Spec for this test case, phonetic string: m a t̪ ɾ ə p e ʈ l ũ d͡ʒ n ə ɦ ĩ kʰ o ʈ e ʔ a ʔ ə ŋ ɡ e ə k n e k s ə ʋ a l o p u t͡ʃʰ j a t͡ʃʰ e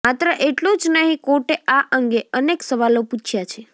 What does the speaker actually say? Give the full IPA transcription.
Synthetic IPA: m a t̪ ɾ ə ʔ e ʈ l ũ d͡ʒ n ə ɦ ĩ k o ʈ e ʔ a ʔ ə ŋ ɡ e ə n e k s ə ʋ a l o p u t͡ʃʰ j a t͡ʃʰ e